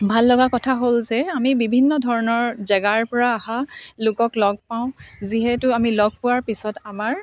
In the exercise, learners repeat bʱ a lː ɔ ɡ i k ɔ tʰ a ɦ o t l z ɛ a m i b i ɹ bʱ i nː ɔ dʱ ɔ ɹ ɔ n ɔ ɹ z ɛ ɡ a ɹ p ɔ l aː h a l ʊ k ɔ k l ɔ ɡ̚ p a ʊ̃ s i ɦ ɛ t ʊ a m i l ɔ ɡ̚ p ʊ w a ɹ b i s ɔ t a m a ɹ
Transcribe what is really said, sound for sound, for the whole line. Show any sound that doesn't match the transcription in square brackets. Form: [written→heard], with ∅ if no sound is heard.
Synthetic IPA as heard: bʱ a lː ɔ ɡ [i→a] k ɔ tʰ a ɦ o [t→∅] l z ɛ a m i b i [ɹ→∅] bʱ i nː ɔ dʱ ɔ ɹ ɔ n ɔ ɹ z ɛ ɡ a ɹ p ɔ [l→ɹ] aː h a l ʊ k ɔ k l ɔ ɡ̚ p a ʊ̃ [s→z] i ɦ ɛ t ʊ a m i l ɔ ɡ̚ p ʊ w a ɹ [b→p] i s ɔ t a m a ɹ